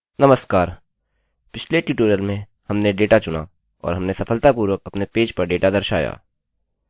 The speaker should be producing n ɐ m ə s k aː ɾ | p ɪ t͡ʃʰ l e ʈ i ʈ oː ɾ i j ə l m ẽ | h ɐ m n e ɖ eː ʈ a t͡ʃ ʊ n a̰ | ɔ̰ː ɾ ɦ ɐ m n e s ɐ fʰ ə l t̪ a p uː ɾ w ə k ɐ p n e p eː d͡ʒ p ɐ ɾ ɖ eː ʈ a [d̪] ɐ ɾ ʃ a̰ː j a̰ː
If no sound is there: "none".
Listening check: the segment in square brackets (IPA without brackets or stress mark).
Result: d̪